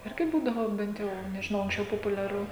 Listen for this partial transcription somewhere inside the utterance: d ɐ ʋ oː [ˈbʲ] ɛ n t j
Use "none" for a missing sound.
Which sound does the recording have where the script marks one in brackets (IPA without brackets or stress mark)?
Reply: bʲ